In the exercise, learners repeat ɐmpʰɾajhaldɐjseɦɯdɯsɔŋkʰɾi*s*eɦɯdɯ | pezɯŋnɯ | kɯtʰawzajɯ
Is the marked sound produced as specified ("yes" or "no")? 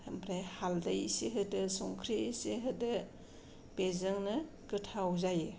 yes